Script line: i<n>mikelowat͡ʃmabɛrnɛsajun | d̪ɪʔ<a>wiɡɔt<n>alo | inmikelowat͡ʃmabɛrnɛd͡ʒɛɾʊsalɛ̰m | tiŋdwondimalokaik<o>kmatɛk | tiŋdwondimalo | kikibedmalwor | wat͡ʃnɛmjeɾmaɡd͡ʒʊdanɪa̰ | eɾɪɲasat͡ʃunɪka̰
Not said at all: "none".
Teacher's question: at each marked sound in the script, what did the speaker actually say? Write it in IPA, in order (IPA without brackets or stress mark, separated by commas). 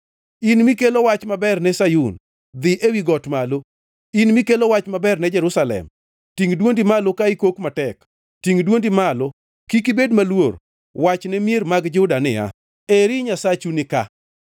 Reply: n, e, m, o